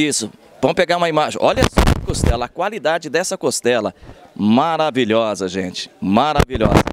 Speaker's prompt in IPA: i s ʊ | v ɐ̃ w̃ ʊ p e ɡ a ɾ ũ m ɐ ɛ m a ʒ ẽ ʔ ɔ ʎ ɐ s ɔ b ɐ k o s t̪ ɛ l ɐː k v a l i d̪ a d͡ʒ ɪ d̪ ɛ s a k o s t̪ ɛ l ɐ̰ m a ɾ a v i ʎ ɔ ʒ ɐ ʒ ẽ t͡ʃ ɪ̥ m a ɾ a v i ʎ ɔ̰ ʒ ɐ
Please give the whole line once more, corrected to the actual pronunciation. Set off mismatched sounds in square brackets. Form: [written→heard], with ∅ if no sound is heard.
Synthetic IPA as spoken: i s ʊ | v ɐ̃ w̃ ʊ p e ɡ a ɾ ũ m ɐ [ɛ→i] m a ʒ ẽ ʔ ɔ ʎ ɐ s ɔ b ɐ k o s t̪ ɛ l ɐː k [v→w] a l i d̪ a d͡ʒ ɪ d̪ ɛ s [a→ɐ] k o s t̪ ɛ l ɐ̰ m a ɾ a v i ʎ ɔ [ʒ→z] ɐ ʒ ẽ t͡ʃ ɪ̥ m a ɾ a v i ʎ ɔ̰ [ʒ→z] ɐ